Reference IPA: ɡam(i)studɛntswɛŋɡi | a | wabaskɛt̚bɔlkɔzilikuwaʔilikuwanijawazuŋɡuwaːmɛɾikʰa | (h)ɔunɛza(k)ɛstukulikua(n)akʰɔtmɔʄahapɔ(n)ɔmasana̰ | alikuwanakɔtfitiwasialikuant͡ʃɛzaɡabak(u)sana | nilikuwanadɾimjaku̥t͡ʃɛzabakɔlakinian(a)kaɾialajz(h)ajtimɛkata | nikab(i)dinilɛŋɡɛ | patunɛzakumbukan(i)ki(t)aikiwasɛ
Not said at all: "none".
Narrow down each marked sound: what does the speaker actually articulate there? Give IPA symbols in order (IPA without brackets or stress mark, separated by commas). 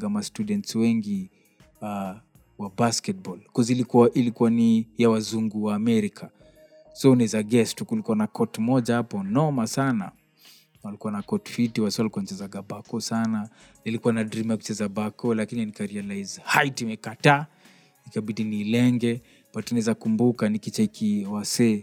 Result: a, s, ɡ, n, n, ɔ, i, h, i, i, t͡ʃ